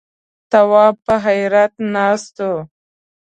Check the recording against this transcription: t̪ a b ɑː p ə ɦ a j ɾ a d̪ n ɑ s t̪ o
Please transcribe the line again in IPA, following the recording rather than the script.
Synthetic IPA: t̪ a w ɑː p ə ɦ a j ɾ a t̪ n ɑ s t̪ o